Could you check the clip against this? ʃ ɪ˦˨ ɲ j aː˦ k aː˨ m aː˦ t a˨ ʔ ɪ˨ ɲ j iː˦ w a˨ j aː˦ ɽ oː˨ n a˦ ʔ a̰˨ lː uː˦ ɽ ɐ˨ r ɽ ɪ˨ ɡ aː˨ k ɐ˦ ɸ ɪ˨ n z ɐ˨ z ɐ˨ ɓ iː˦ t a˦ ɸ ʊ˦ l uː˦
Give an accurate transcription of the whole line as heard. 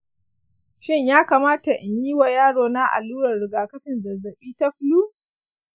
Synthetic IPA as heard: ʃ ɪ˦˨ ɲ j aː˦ k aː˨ m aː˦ t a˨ ʔ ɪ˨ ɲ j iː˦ w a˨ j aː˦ ɽ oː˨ n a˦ ʔ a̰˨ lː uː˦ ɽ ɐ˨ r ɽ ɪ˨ ɡ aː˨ k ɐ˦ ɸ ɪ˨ n z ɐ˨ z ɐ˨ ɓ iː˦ t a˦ ɸ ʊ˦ l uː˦